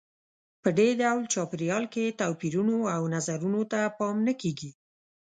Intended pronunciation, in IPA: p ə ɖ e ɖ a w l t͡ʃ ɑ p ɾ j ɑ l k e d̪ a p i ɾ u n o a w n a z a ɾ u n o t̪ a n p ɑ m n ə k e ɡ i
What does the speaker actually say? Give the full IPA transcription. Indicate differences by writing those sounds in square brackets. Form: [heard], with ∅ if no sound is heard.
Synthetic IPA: p ə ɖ e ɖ a w l t͡ʃ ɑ p ɾ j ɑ l k e [t̪] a p i ɾ u n o a w n a z a ɾ u n o t̪ a [∅] p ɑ m n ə k e ɡ i